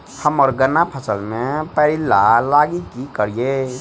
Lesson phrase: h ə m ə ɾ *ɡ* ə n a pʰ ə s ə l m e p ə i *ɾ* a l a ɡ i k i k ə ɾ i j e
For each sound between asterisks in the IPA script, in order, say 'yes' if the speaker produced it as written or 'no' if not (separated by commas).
yes, no